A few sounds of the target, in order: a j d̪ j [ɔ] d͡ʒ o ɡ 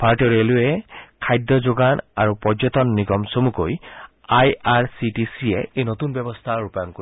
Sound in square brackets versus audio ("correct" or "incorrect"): correct